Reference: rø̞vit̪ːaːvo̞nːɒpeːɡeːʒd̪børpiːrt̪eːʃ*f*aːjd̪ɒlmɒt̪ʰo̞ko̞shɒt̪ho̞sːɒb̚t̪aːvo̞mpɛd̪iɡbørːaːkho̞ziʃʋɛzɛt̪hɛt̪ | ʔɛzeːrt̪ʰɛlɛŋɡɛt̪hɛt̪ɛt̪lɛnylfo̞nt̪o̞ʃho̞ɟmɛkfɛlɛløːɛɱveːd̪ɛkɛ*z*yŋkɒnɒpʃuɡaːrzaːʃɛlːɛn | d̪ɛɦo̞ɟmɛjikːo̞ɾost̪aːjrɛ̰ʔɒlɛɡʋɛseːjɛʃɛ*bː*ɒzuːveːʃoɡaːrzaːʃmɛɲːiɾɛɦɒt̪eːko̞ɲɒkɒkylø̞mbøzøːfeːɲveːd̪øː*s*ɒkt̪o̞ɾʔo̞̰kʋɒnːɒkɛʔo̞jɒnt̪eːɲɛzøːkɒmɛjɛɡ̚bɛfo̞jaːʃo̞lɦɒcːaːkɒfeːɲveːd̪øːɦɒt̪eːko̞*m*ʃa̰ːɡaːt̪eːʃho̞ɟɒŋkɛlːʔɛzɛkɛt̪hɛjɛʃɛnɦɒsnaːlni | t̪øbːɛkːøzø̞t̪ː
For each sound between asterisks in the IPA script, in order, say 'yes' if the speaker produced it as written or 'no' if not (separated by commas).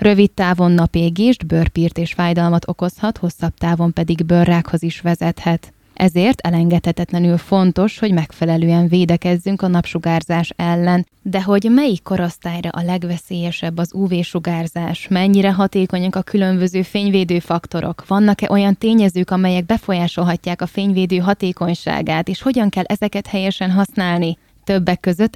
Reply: yes, no, yes, no, no